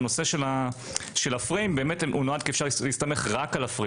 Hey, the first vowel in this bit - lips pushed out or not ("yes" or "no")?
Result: yes